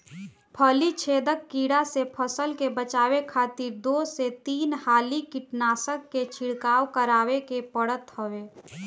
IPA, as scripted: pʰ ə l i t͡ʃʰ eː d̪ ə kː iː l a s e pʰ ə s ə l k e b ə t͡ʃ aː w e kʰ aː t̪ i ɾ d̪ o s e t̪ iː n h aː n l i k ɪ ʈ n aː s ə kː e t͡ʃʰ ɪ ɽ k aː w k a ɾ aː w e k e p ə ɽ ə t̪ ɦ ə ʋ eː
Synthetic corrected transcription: pʰ ə l i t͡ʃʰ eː d̪ ə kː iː ɽ a s e pʰ ə s ə l k e b ə t͡ʃ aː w e kʰ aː t̪ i ɾ d̪ o s e t̪ iː n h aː l i k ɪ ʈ n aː s ə kː e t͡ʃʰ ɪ ɽ k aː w k ə ɾ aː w e k e p ə ɽ ə t̪ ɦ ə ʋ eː